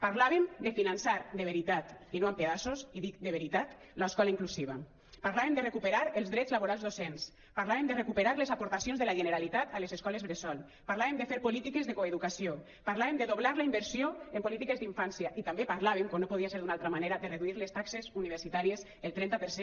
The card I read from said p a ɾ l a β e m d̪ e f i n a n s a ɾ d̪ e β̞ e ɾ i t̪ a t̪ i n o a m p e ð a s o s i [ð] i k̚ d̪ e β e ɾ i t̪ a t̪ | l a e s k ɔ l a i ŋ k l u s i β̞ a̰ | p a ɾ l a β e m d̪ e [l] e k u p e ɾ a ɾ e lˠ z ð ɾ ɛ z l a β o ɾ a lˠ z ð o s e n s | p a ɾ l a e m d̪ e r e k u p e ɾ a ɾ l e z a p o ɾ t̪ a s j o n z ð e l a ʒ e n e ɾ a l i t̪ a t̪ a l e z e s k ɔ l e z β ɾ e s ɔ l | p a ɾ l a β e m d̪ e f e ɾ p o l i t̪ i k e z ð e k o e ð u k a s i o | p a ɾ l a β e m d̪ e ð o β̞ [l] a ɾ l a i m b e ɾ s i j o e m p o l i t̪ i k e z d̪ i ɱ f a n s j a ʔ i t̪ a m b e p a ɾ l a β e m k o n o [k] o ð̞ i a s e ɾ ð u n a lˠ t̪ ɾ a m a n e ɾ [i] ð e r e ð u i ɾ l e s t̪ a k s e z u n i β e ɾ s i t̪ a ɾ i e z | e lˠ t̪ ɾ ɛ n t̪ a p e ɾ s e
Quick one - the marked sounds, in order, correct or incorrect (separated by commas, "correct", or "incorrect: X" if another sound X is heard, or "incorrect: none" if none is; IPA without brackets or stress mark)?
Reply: correct, incorrect: r, correct, incorrect: p, incorrect: a